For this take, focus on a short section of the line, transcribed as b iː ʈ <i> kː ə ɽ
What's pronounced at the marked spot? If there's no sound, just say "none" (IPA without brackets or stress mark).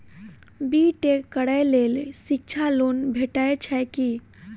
e